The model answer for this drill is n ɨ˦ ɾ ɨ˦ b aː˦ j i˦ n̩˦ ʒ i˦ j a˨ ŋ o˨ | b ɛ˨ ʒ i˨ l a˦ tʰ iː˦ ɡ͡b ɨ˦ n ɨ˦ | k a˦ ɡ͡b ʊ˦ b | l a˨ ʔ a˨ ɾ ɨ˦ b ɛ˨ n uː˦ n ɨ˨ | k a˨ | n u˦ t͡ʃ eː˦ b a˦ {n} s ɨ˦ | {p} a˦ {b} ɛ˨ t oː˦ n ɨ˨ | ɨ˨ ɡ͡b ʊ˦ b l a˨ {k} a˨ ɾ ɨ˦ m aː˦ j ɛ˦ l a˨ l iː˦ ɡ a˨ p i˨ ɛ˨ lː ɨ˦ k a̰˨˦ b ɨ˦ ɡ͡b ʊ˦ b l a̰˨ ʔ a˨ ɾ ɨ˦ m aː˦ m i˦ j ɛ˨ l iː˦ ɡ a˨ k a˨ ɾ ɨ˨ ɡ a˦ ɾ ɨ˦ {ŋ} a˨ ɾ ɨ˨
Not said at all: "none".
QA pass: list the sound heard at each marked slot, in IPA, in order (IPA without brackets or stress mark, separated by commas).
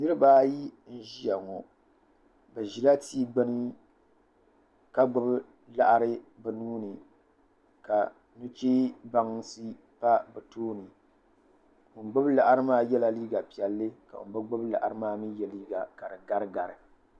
ŋ, p, b, ʔ, ɡ